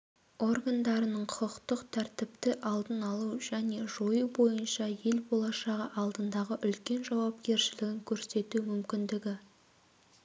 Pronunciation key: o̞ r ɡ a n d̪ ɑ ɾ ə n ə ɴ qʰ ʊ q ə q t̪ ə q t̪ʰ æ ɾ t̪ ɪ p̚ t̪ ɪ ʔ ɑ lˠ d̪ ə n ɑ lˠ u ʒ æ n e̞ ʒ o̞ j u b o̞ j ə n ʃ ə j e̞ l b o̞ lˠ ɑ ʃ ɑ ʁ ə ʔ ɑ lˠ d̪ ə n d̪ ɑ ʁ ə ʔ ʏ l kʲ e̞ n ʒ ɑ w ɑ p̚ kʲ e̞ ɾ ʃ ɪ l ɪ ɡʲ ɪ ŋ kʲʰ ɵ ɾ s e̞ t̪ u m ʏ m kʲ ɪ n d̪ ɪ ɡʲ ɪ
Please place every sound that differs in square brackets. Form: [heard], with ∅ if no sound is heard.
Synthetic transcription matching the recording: o̞ r ɡ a n d̪ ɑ ɾ ə n ə ɴ qʰ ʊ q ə q t̪ ə q t̪ʰ æ ɾ t̪ ɪ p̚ t̪ ɪ ʔ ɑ lˠ d̪ ə n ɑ lˠ u ʒ æ n e̞ ʒ o̞ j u b o̞ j ə n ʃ [ɑ] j e̞ l b o̞ lˠ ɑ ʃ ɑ ʁ ə ʔ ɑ lˠ d̪ ə n d̪ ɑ ʁ ə ʔ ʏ l kʲ e̞ n ʒ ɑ w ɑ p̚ kʲ e̞ ɾ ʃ ɪ l ɪ ɡʲ ɪ ŋ kʲʰ ɵ ɾ s e̞ t̪ u m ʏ m kʲ ɪ n d̪ ɪ ɡʲ ɪ